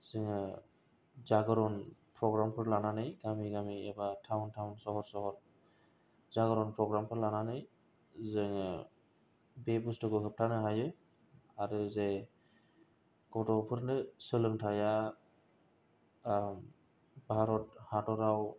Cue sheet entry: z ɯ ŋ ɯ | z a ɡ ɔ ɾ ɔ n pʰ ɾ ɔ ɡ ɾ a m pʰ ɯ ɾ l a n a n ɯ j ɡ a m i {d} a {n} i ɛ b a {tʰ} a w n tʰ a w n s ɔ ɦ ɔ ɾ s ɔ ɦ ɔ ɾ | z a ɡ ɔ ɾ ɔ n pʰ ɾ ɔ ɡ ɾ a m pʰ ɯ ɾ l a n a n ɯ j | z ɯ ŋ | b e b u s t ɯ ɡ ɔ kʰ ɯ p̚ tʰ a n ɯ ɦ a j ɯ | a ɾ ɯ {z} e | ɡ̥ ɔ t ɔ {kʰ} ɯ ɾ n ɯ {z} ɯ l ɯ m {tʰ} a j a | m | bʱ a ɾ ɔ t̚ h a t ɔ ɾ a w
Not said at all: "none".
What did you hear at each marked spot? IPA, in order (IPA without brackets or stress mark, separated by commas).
ɡ, m, tʰ, z, pʰ, s, tʰ